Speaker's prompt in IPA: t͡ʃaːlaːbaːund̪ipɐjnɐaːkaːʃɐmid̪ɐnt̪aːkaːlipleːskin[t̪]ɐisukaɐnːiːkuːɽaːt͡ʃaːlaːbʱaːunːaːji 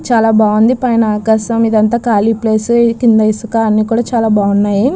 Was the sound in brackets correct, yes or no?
no